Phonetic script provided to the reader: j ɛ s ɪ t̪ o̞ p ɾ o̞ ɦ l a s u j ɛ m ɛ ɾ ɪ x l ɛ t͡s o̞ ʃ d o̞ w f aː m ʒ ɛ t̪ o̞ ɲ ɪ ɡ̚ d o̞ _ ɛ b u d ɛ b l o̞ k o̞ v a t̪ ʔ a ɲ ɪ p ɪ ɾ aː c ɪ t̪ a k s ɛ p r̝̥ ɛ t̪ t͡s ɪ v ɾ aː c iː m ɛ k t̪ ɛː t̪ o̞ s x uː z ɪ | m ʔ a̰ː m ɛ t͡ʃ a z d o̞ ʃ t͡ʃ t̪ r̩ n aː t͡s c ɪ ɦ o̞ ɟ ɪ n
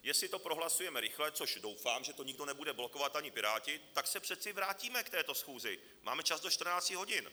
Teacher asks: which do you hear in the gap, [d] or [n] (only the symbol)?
n